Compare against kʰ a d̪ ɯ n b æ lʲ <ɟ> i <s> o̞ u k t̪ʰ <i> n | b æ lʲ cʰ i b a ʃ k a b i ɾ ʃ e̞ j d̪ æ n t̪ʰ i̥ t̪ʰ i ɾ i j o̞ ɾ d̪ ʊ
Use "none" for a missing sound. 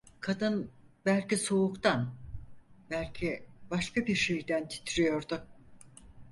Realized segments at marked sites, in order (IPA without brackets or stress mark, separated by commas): c, s, a